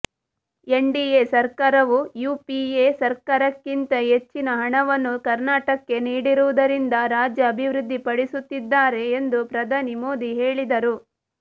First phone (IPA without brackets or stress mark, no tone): e̞